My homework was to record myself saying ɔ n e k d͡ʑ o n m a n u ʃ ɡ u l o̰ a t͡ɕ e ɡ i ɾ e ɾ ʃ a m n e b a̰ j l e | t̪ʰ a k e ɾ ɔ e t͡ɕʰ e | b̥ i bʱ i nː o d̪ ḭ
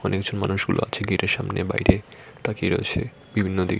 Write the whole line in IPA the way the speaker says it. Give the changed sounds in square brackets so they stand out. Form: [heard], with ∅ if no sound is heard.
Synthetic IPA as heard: ɔ n e k d͡ʑ o n m a n u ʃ ɡ u l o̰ a [t͡ɕʰ] e ɡ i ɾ e ɾ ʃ a m n e b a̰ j [ɾ] e | [t̪] a k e ɾ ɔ e t͡ɕʰ e | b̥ i bʱ i nː o d̪ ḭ